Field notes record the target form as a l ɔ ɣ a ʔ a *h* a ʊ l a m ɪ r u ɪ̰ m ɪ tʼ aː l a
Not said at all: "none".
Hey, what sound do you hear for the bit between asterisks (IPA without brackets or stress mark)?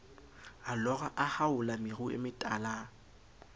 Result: h